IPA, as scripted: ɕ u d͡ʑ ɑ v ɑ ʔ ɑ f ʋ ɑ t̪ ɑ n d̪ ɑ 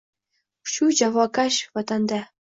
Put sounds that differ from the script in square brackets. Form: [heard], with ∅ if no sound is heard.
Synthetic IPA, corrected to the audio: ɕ u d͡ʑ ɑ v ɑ [k] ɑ [ɕ] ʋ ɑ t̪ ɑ n d̪ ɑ